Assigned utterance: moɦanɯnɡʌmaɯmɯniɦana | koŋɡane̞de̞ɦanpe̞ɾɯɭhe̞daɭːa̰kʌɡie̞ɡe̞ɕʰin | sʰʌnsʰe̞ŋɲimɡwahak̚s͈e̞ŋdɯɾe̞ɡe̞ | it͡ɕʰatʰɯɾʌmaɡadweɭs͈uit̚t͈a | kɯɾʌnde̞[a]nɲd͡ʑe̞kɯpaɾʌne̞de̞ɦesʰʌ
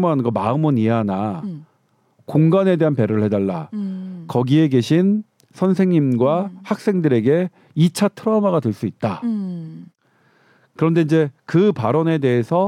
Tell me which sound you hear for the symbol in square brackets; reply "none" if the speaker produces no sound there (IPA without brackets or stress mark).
i